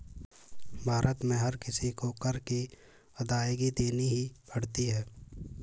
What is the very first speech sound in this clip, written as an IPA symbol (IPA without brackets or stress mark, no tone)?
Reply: bʱ